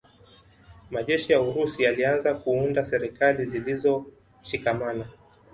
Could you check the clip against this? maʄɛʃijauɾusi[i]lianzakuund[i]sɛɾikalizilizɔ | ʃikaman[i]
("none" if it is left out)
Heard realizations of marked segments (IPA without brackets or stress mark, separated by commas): a, a, a